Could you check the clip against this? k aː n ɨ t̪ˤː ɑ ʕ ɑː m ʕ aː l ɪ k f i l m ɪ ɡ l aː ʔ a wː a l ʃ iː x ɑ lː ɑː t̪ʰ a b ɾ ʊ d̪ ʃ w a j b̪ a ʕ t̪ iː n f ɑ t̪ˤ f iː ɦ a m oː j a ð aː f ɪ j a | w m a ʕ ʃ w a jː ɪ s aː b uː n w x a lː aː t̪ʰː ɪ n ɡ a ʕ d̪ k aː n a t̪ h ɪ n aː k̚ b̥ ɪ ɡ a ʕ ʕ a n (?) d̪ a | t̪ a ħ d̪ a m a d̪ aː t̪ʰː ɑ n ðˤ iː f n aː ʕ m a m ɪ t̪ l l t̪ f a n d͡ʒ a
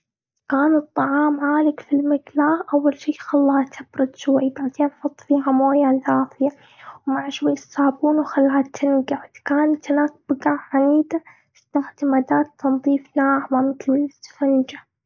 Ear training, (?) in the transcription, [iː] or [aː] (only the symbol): iː